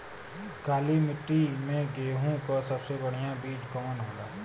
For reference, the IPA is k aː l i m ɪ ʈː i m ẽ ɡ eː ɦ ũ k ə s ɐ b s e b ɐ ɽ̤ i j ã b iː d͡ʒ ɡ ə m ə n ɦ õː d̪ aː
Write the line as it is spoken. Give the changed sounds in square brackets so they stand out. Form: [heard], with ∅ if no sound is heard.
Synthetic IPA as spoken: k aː l i m ɪ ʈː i m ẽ ɡ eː ɦ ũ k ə s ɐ b s e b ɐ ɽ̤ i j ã b iː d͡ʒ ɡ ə m ə n ɦ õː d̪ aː